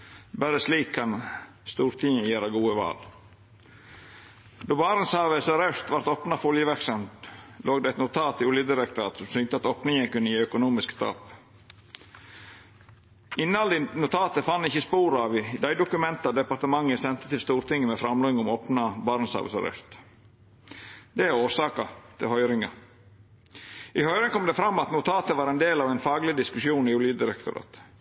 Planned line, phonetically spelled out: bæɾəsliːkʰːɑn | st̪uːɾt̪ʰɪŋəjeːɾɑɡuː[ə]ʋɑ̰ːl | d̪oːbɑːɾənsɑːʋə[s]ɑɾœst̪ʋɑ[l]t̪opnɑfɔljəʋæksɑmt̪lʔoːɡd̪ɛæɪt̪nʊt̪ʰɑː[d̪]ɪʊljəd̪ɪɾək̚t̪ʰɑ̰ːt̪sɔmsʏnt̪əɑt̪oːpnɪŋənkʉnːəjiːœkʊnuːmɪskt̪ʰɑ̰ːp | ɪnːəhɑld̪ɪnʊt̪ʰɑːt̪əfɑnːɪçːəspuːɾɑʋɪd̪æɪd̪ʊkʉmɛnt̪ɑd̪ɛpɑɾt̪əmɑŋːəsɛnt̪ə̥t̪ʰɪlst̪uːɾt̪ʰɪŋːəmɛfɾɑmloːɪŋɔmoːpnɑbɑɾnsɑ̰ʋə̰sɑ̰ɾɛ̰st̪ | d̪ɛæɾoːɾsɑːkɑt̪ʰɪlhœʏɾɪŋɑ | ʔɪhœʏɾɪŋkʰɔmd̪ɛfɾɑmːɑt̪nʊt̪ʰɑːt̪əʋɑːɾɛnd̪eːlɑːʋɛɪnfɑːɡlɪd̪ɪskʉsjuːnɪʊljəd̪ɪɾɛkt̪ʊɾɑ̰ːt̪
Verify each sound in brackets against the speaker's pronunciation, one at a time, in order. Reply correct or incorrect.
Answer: correct, correct, incorrect: ɾ, incorrect: t̪

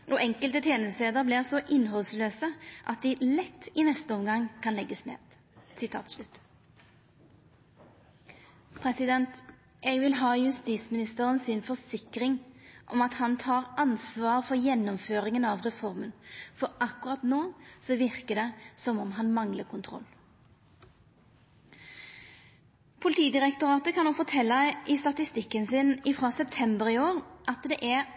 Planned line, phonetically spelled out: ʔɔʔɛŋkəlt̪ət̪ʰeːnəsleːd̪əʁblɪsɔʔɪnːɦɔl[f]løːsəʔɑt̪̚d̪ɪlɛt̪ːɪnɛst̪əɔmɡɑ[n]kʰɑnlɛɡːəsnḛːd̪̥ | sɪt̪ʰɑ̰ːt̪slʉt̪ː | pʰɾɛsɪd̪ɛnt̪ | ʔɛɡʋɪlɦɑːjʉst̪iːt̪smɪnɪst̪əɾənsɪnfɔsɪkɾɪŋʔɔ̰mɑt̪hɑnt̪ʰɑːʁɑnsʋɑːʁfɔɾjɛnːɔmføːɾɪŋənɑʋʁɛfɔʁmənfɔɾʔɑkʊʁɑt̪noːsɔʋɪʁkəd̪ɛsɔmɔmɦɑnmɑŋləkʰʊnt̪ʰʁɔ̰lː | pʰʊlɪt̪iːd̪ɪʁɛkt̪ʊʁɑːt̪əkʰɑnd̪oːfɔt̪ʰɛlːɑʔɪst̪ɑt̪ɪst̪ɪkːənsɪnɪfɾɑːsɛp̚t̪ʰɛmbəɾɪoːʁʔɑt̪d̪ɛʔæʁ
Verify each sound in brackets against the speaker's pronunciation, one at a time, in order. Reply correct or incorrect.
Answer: incorrect: s, incorrect: ŋ

